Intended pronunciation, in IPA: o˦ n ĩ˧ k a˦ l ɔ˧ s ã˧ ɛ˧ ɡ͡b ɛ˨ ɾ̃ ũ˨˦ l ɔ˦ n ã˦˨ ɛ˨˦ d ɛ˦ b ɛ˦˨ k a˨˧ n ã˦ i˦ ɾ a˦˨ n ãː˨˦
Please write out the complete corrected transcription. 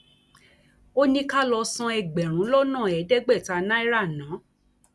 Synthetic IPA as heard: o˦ n ĩ˧ k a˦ l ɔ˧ s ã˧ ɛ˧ ɡ͡b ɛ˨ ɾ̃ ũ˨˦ l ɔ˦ n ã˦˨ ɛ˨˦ d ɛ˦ ɡ͡b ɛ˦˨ t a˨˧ n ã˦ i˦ ɾ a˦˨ n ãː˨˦